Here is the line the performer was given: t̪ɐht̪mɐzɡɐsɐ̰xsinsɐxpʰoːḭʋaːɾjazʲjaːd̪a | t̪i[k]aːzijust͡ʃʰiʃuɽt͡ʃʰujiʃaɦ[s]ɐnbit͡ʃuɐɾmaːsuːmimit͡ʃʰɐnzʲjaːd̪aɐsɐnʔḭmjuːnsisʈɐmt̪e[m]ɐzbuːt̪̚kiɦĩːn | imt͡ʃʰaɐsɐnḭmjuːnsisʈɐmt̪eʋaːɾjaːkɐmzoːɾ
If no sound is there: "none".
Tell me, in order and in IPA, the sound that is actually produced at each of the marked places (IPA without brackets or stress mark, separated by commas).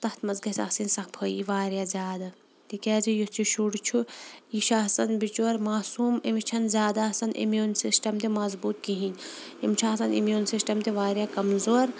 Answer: k, s, m